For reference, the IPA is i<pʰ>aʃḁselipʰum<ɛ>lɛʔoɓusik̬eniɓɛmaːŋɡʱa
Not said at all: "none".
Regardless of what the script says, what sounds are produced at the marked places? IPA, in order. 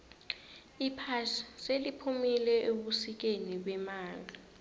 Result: pʰ, i

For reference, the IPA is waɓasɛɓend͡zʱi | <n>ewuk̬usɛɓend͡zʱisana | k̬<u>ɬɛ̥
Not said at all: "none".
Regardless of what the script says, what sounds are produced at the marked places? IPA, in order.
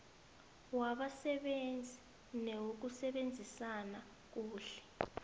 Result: n, uː

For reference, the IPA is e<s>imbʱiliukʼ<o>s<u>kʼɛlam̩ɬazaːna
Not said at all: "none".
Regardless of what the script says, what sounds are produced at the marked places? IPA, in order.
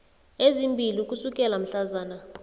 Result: z, u, u

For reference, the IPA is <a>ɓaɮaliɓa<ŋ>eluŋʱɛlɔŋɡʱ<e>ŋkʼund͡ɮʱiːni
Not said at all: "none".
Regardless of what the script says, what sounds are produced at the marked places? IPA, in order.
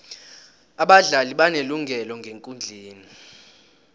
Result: a, n, e

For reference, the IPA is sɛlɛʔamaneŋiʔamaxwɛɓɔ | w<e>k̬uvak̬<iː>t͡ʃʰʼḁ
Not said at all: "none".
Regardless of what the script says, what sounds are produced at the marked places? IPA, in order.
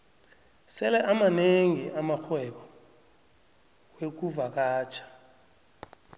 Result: e, aː

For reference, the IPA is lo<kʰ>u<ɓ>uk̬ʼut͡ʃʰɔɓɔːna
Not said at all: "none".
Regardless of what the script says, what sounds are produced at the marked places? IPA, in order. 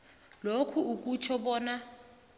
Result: kʰ, none

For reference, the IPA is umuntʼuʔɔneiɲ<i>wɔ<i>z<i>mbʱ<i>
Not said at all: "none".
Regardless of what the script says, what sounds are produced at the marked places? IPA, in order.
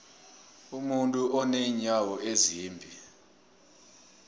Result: a, e, iː, i

